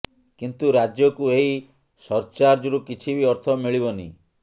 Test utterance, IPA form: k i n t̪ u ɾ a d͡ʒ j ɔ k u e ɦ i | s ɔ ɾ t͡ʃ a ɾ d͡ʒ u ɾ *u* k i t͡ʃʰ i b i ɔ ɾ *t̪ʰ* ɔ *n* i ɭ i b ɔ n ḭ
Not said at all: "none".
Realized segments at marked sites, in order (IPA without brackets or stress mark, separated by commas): u, t̪ʰ, m